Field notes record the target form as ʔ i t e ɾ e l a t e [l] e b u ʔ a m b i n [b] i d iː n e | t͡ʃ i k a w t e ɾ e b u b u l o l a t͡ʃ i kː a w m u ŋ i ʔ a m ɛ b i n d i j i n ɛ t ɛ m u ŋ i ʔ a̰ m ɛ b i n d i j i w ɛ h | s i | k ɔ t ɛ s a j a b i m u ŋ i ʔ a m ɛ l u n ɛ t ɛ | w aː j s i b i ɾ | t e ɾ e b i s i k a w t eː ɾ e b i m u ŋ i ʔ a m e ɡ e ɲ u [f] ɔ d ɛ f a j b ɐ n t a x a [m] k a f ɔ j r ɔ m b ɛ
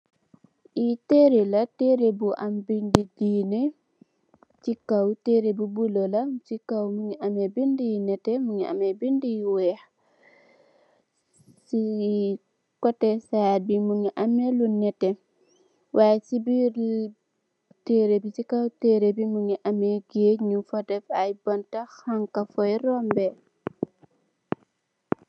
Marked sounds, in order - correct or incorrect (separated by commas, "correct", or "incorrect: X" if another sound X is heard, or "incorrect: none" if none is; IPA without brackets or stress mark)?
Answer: incorrect: ɾ, incorrect: d, correct, incorrect: ŋ